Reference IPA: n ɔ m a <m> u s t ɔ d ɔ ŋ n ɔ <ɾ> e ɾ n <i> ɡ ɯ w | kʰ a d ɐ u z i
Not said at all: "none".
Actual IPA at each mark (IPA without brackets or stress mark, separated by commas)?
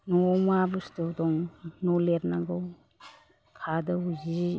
b, l, a